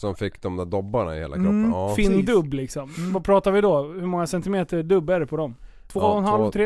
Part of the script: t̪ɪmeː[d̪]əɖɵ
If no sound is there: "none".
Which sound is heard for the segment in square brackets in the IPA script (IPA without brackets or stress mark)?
t̪